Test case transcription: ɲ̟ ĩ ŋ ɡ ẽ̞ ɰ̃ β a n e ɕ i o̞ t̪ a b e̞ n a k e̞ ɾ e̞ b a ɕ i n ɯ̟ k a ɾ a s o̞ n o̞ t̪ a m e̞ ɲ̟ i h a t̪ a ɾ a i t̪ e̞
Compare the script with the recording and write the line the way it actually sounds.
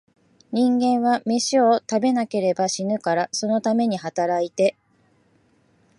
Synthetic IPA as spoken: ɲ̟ ĩ ŋ ɡ ẽ̞ ɰ̃ β a m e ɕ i o̞ t̪ a b e̞ n a k e̞ ɾ e̞ b a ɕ i n ɯ̟ k a ɾ a s o̞ n o̞ t̪ a m e̞ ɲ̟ i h a t̪ a ɾ a i t̪ e̞